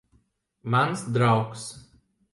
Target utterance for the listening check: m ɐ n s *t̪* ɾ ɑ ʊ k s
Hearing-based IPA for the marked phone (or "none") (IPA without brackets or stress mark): d̪